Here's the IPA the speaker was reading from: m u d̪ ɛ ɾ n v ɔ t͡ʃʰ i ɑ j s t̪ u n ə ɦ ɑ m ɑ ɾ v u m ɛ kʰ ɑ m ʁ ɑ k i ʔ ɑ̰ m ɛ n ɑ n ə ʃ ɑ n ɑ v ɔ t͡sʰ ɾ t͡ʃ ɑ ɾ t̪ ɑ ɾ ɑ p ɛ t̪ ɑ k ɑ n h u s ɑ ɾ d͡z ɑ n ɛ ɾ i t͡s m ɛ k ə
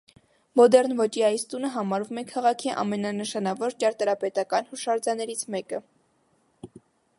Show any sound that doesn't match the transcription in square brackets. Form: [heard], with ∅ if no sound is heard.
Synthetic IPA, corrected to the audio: m [ɔ] d̪ ɛ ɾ n v ɔ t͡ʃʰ i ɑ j s t̪ u n ə ɦ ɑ m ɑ ɾ v u m ɛ kʰ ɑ [∅] ʁ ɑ [kʰ] i ʔ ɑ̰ m ɛ n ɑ n ə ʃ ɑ n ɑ v ɔ [∅] ɾ t͡ʃ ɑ ɾ t̪ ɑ ɾ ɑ p ɛ t̪ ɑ k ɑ n h u [ʃ] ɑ ɾ d͡z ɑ n ɛ ɾ i [t͡sʰ] m ɛ k ə